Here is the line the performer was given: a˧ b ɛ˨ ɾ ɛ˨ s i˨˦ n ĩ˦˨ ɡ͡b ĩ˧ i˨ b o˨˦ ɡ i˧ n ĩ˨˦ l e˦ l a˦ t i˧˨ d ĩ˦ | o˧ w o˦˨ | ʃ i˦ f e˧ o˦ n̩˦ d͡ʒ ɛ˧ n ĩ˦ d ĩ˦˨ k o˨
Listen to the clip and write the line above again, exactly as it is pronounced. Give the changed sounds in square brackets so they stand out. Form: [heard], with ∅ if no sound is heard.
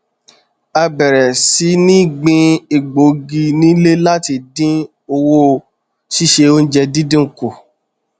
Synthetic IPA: a˧ b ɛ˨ ɾ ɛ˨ s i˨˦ n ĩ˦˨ ɡ͡b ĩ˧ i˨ [ɡ͡b] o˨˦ ɡ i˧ n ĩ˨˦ l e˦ l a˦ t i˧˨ d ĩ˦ | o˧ w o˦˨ | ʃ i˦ [ʃ] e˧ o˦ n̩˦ d͡ʒ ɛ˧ [d] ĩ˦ d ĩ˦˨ k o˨